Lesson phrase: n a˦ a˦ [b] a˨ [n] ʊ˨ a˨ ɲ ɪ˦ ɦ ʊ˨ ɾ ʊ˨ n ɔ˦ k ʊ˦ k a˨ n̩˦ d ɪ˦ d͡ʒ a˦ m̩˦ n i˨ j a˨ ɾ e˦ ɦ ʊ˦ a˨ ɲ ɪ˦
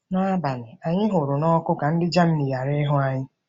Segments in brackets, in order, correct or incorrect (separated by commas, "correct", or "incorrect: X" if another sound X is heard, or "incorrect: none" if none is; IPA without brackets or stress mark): correct, correct